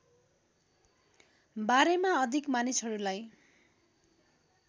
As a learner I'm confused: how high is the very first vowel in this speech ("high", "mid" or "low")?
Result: low